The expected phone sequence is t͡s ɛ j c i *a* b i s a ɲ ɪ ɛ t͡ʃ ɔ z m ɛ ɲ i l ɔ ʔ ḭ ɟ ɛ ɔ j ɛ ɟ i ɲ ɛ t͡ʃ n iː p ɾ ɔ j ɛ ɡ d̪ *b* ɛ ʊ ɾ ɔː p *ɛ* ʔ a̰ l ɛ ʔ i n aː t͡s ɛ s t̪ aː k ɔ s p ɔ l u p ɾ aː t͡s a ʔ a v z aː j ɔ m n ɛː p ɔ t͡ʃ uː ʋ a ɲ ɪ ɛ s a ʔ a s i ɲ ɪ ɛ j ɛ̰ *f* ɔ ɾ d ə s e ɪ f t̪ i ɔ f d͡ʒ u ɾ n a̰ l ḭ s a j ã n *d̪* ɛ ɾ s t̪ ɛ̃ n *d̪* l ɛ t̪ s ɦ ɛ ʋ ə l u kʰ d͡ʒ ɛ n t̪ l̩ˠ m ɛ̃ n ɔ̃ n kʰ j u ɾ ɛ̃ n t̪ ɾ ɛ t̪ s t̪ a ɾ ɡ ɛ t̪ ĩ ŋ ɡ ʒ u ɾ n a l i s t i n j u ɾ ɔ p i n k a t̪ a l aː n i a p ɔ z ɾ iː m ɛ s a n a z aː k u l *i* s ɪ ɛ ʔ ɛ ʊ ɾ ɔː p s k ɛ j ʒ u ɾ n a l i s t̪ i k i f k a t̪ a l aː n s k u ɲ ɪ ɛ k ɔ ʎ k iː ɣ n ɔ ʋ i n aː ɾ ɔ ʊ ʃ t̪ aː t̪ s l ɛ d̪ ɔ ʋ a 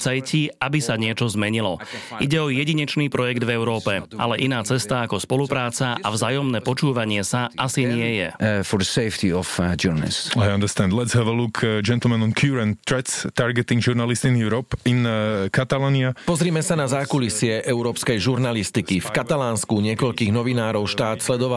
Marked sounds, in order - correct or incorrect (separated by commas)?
correct, incorrect, correct, correct, correct, correct, correct